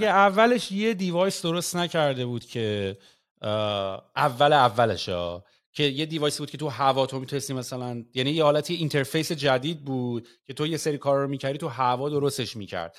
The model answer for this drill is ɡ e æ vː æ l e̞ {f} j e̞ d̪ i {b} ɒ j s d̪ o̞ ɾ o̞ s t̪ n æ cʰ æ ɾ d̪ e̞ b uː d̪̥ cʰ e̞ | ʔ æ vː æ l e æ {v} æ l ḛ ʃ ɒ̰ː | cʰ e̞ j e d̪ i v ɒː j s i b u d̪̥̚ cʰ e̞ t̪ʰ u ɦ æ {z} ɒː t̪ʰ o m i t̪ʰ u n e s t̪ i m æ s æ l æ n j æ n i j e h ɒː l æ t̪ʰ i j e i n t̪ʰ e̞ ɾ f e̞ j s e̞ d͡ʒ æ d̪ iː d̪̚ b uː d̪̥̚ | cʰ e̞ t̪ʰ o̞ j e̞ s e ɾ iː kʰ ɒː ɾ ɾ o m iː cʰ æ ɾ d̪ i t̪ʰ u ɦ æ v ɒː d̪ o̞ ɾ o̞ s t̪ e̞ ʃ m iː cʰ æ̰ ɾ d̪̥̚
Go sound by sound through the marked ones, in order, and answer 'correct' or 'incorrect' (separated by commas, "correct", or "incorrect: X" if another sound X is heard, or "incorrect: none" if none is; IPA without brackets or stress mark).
incorrect: ʃ, incorrect: v, incorrect: vː, incorrect: v